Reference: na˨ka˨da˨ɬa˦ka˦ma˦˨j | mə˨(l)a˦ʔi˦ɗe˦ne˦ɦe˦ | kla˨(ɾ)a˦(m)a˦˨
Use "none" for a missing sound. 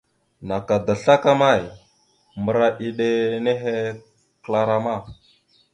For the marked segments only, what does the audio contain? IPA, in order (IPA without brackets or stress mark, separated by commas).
ɾ, ɾ, m